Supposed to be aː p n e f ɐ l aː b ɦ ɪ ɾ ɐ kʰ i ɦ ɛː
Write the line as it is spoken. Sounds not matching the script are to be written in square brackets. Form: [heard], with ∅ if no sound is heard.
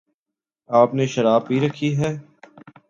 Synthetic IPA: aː p n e [ʃ] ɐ [ɾ] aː b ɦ [i] ɾ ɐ kʰ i ɦ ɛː